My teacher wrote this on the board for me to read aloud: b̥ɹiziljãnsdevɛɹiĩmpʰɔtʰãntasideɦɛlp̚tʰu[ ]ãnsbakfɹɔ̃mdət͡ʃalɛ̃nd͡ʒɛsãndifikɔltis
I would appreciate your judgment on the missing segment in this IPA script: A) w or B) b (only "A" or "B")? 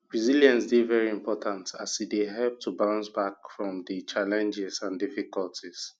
B